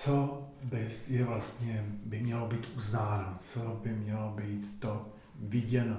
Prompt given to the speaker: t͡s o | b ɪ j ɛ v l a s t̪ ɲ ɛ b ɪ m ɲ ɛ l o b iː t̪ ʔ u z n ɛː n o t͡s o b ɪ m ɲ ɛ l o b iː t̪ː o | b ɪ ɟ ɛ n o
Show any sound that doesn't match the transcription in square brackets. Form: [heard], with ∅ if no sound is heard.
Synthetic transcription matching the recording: t͡s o | b ɪ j ɛ v l a s t̪ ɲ ɛ b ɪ m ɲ ɛ l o b iː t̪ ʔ u z n [aː] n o t͡s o b ɪ m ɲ ɛ l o b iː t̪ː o | [v] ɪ ɟ ɛ n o